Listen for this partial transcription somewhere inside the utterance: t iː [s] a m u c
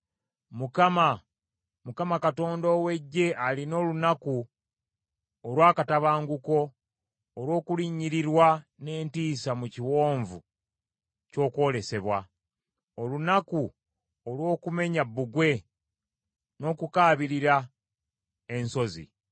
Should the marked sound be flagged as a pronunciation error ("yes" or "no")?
no